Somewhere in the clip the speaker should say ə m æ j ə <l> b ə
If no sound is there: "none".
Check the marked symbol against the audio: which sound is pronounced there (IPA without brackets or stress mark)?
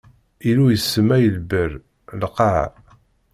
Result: l